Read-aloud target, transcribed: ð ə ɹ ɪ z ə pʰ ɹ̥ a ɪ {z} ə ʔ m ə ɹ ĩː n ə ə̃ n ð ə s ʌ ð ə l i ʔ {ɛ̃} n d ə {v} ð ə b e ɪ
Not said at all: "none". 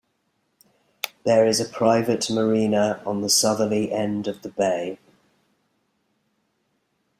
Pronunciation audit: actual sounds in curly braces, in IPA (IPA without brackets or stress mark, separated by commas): v, ɛ̃, v